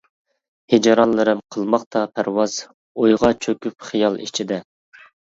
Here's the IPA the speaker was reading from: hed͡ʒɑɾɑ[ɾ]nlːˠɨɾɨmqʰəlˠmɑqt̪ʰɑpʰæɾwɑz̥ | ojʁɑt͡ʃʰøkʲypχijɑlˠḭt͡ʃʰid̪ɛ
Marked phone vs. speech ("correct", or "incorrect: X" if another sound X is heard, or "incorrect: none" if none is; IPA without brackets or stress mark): incorrect: none